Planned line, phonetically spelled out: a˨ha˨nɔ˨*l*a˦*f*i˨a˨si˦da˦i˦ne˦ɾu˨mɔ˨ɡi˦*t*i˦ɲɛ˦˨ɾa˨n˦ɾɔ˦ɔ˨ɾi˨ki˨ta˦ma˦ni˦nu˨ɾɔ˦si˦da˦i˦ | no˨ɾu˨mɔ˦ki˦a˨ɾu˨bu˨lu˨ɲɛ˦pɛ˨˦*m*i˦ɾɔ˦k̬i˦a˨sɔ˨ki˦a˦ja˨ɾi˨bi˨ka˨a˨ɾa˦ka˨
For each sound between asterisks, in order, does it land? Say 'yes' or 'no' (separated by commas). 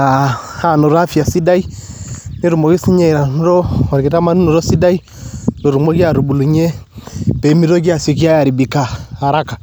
no, yes, no, yes